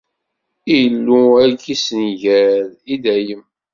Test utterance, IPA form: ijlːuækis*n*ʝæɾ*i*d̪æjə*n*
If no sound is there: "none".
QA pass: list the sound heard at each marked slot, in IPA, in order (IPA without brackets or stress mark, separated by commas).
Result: n, i, m